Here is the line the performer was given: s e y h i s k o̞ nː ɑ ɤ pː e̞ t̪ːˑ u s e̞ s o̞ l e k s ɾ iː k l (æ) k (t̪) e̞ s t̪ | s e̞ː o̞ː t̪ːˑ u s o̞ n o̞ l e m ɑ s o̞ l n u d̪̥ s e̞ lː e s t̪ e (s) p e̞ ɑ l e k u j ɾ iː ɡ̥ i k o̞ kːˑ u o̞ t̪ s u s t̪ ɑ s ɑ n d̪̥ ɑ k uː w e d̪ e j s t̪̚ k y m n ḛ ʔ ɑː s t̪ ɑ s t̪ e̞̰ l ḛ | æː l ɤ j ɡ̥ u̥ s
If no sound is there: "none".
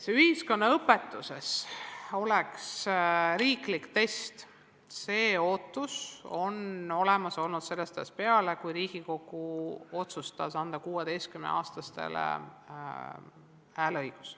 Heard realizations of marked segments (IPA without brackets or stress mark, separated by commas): i, t̪, s